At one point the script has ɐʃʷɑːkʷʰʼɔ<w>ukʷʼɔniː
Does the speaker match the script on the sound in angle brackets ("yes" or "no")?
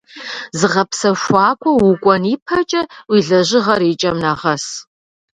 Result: yes